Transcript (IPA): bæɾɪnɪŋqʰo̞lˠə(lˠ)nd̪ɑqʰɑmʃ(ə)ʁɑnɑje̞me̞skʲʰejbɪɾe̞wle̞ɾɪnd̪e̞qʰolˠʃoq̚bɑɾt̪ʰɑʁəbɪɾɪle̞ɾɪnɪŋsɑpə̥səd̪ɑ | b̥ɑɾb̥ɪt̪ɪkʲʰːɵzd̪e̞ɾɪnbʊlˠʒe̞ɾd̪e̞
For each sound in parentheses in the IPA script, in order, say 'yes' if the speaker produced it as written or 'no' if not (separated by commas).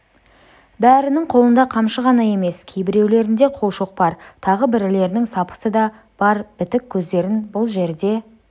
no, yes